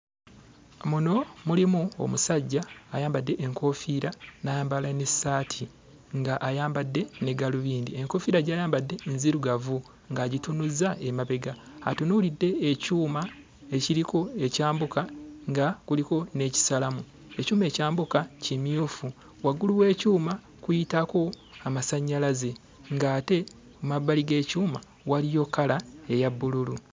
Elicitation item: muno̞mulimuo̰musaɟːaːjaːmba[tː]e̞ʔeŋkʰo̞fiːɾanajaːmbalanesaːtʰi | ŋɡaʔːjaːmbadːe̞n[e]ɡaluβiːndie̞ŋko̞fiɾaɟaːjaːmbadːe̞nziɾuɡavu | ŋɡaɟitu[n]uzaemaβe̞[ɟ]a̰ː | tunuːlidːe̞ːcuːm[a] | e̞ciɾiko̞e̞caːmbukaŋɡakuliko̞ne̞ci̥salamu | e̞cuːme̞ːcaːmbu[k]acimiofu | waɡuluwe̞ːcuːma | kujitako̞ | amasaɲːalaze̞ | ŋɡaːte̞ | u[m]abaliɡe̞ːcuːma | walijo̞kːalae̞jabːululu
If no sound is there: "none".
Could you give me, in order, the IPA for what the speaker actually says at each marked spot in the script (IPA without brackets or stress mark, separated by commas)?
dː, e, n, ɡ, a, k, m